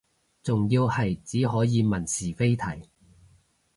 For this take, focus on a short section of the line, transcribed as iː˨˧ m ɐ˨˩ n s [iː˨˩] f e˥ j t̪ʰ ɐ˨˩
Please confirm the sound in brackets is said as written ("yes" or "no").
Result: yes